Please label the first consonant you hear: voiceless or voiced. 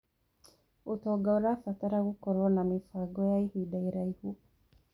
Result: voiceless